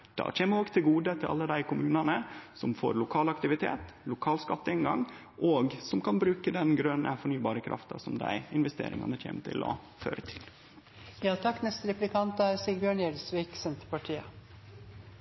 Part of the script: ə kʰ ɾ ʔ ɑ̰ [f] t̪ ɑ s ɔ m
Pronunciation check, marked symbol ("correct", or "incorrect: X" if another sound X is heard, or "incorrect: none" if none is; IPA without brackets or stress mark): correct